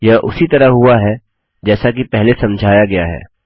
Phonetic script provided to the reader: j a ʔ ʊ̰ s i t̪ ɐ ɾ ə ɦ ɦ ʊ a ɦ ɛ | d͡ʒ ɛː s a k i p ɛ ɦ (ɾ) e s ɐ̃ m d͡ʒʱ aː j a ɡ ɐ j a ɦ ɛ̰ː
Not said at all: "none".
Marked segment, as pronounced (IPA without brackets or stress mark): l